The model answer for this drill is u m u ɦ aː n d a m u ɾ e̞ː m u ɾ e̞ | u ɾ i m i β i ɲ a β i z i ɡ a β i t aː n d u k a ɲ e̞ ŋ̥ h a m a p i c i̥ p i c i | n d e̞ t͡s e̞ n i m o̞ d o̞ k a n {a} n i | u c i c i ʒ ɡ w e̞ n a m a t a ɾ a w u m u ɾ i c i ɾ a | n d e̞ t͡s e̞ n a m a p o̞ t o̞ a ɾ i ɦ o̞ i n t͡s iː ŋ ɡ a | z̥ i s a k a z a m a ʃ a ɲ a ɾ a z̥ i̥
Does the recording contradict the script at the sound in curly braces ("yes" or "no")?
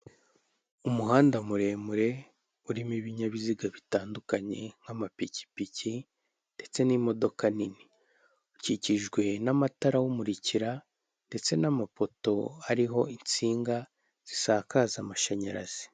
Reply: yes